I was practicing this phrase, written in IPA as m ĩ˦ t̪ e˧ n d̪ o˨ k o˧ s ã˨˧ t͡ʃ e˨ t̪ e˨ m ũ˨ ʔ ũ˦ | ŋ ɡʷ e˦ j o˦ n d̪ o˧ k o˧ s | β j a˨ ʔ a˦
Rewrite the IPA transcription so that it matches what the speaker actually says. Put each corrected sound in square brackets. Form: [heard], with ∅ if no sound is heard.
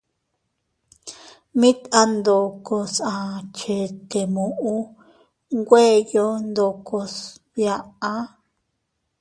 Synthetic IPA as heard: m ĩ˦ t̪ [a˧] n d̪ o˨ k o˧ s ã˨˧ t͡ʃ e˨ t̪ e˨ m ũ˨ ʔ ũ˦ | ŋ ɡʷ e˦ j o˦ n d̪ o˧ k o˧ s | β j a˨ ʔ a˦